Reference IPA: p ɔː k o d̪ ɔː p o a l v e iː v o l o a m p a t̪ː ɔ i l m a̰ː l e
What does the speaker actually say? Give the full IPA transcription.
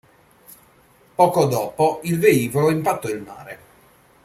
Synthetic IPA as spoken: p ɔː k o d̪ ɔː p o i l v e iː v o l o i m p a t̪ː ɔ i l m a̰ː ɾ e